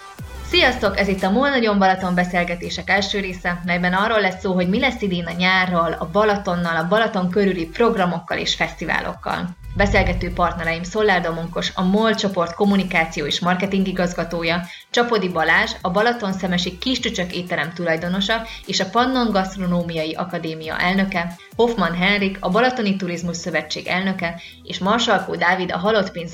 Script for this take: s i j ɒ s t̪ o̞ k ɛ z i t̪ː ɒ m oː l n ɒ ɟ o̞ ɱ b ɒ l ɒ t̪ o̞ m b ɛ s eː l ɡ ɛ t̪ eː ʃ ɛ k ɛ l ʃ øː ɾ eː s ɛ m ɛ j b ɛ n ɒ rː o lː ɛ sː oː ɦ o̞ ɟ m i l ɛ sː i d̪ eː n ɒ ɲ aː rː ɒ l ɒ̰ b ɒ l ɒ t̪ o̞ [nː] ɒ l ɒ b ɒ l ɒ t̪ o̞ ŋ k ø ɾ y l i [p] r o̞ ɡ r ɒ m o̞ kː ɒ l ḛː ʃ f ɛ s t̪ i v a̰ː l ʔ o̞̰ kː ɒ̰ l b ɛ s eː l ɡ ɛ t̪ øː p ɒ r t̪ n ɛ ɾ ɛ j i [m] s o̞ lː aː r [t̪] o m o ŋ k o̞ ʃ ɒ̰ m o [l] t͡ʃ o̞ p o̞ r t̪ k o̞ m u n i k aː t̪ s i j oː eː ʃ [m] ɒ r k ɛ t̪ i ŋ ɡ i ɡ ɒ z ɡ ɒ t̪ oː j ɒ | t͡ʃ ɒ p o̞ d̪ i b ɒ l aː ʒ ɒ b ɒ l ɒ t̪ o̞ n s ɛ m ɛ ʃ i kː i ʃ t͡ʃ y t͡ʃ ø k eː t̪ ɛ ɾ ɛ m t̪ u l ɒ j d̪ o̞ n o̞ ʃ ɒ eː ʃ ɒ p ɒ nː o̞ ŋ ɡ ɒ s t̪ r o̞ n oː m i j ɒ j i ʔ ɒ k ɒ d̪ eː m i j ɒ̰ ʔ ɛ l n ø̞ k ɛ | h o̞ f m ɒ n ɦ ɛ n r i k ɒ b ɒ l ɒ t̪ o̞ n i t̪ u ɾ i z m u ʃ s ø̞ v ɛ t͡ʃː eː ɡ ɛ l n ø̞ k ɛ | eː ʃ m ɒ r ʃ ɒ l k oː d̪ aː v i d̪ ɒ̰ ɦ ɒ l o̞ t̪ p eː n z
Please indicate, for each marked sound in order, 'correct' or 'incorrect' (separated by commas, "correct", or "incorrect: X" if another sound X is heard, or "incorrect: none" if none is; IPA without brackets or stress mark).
correct, correct, correct, incorrect: d̪, correct, correct